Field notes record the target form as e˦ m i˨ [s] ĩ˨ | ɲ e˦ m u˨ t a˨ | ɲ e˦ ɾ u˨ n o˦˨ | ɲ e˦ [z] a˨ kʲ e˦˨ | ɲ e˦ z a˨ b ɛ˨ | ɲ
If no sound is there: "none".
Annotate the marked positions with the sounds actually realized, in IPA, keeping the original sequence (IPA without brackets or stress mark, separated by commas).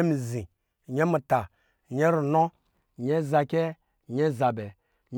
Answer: z, z